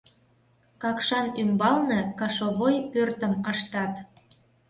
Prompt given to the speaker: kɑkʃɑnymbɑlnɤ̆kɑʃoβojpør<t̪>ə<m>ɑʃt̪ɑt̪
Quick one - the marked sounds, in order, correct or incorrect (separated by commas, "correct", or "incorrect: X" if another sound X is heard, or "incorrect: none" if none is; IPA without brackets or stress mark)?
correct, correct